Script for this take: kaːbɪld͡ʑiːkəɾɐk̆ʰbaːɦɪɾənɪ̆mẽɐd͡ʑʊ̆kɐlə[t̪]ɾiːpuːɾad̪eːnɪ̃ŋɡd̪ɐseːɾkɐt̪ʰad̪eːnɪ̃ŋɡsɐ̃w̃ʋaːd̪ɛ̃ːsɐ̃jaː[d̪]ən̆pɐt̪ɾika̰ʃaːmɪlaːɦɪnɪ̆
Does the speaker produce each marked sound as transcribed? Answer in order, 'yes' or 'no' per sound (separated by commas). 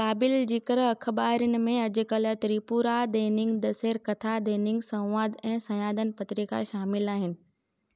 yes, yes